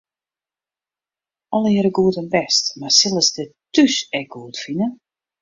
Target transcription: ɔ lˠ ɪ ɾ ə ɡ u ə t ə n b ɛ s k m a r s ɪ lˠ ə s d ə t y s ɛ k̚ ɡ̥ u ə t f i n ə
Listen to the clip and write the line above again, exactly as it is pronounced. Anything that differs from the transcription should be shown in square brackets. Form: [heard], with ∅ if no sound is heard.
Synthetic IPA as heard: ɔ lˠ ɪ ɾ ə ɡ u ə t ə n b ɛ s [t] m a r s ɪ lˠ ə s d ə t y s ɛ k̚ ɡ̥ u ə t f i n ə